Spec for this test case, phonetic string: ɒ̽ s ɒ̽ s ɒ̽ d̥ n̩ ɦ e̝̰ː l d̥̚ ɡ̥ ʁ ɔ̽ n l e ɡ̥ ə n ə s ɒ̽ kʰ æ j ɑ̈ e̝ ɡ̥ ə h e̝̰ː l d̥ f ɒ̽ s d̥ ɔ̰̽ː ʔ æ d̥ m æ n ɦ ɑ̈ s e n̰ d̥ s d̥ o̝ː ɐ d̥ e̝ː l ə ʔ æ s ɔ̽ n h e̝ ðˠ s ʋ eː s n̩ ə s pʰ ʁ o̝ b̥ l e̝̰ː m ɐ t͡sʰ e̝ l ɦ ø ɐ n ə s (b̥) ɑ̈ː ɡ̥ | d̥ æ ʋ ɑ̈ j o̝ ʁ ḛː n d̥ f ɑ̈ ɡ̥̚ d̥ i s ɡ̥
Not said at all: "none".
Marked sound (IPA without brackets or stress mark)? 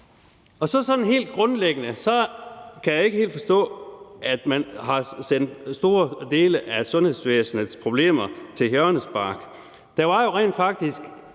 b̥